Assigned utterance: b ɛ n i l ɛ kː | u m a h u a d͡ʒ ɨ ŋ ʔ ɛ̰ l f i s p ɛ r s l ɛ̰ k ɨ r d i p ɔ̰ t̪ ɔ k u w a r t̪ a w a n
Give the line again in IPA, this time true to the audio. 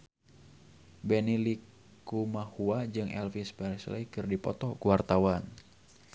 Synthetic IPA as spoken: b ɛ n i l i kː | u m a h u a d͡ʒ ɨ ŋ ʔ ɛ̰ l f i s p ɛ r s l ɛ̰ k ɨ r d i p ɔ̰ t̪ ɔ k u w a r t̪ a w a n